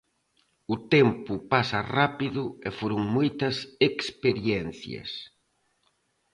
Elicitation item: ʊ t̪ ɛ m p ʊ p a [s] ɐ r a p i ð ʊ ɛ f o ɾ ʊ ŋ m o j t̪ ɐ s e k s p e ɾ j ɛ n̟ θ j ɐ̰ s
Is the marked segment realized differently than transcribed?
no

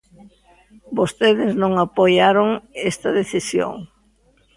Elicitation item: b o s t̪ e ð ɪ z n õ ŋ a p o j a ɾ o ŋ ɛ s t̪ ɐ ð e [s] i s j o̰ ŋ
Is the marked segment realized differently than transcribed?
yes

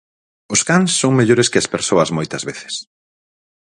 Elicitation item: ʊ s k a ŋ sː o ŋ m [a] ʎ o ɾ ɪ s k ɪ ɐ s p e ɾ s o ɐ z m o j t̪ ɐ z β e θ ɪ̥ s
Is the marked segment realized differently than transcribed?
yes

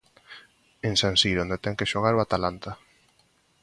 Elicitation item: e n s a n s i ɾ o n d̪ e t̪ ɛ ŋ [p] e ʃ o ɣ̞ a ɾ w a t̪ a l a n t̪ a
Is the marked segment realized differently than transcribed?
yes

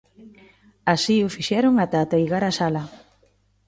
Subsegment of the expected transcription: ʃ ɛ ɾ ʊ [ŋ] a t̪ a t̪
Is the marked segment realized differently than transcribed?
no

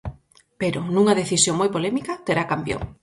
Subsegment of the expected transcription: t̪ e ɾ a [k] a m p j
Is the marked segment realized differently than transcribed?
no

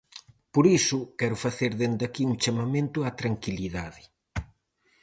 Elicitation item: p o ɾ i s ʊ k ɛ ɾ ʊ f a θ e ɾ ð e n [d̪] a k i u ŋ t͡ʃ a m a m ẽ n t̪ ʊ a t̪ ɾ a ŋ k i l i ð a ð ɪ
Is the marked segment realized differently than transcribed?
no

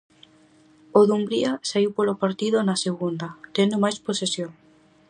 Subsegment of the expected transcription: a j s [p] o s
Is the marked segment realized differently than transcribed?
no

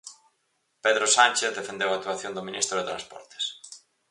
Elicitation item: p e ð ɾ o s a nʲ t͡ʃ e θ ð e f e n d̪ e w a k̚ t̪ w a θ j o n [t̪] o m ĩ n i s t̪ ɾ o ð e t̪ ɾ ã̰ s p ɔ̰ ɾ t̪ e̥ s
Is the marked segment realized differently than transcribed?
yes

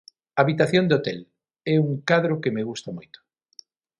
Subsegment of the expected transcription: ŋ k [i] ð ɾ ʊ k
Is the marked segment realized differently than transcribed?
yes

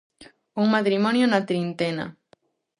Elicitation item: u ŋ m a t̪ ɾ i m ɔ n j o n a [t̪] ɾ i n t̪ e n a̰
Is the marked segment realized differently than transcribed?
no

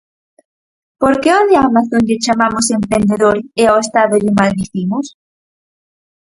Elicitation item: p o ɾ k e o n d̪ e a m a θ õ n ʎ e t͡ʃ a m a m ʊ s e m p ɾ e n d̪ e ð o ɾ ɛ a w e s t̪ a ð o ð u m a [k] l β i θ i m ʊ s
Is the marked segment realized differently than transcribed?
yes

